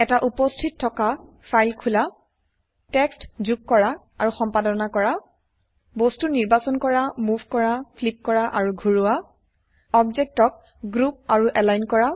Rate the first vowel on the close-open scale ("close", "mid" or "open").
mid